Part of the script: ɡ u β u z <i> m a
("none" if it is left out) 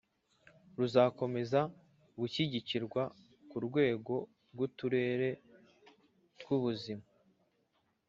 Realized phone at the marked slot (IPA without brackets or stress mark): i